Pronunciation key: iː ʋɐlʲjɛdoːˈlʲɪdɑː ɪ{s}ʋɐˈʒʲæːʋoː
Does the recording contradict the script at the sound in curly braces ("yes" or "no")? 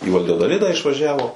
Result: yes